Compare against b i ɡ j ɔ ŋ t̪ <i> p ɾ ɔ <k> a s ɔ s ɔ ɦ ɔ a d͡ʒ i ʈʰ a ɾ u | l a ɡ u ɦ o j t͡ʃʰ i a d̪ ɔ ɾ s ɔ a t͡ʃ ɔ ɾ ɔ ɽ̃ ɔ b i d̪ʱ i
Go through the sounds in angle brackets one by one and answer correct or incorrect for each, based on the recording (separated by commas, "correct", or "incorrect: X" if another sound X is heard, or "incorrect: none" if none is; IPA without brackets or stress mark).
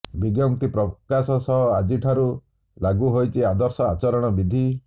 correct, correct